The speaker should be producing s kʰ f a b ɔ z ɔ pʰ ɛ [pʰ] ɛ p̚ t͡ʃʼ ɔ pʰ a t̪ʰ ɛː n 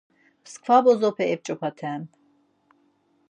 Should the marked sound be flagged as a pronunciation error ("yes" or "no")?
yes